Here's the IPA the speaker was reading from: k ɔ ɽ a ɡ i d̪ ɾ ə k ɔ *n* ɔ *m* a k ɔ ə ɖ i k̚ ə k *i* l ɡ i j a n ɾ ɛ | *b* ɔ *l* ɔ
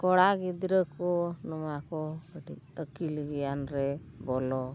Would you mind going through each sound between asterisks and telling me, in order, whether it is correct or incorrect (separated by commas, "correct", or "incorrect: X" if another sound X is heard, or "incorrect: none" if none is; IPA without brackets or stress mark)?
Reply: correct, correct, correct, correct, correct